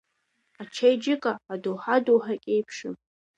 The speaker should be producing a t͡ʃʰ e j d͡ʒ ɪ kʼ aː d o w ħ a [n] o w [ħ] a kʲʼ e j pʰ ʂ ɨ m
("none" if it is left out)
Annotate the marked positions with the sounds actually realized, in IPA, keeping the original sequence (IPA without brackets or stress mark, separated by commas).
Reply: d, ħ